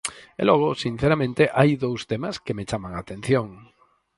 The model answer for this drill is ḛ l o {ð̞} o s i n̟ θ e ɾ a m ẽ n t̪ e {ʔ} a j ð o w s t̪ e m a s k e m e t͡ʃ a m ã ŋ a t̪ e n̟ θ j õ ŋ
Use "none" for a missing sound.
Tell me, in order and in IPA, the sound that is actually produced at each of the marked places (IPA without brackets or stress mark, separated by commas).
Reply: ɣ̞, ʔ